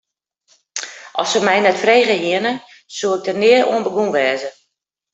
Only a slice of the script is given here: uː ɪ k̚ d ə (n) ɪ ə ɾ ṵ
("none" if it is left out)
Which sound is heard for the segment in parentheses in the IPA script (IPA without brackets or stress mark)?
n